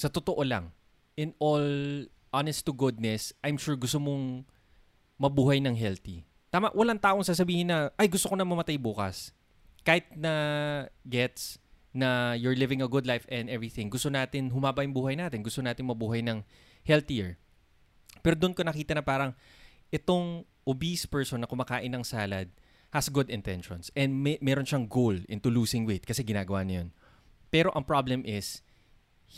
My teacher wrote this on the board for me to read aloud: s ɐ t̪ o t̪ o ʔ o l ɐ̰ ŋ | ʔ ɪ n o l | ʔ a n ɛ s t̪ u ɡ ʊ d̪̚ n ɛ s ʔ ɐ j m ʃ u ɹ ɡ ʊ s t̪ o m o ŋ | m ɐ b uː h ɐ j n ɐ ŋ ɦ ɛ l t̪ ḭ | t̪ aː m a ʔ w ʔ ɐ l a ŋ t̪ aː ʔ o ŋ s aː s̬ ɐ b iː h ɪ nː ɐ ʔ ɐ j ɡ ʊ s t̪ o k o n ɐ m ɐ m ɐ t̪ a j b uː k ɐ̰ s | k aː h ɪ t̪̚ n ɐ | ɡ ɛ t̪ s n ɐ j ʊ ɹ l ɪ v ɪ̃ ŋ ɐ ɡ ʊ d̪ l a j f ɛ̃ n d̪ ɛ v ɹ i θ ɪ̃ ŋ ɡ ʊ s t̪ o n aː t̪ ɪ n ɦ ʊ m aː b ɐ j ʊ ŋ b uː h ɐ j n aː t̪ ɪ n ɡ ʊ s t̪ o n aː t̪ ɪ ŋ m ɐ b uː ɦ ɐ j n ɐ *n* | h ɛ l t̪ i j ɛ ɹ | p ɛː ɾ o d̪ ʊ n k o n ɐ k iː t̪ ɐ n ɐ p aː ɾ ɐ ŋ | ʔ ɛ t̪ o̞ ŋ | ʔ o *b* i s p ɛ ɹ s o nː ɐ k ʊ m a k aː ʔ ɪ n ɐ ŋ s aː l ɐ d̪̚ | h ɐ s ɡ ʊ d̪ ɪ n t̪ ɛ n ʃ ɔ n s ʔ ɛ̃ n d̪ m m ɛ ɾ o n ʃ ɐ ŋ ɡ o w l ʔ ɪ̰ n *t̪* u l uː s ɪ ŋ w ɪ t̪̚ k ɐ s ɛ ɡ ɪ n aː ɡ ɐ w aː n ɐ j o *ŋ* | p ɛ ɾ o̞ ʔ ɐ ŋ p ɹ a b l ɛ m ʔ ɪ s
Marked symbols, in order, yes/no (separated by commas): no, yes, yes, no